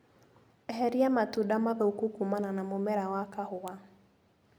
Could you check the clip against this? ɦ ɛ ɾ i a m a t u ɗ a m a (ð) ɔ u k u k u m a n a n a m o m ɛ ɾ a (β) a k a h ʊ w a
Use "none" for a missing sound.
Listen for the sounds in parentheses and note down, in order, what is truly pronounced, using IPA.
ð, w

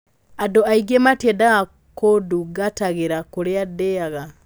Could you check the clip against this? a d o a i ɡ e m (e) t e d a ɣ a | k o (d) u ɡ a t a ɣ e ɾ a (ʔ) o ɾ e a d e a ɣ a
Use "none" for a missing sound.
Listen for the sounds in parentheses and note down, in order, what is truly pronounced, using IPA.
a, d, k

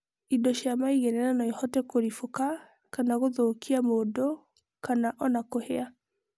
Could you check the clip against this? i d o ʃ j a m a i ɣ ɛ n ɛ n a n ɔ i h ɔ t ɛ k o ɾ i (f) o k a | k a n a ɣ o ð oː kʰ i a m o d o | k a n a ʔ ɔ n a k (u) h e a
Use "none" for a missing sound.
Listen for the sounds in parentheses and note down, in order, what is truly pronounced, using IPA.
f, o

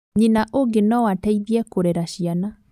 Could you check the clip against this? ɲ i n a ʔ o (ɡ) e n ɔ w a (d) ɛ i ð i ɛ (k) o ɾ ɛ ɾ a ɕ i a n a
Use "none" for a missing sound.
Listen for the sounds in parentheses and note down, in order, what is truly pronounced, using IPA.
ɡ, t, k

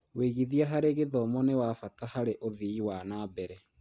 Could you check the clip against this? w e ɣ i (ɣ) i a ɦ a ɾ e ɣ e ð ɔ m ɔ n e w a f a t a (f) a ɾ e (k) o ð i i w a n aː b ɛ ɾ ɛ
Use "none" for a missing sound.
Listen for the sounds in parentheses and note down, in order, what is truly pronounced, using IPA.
ð, h, ʔ

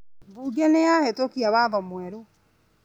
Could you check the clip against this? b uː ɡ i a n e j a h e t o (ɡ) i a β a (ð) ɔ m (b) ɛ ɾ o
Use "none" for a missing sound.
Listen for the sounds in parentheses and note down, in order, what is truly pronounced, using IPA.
k, ð, w

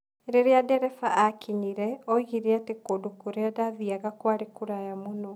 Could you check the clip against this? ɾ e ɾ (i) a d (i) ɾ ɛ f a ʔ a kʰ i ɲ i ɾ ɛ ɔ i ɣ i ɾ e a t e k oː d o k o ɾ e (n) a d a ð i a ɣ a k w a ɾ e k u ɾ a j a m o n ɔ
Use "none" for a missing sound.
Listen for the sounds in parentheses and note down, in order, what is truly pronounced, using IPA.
e, ɛ, none

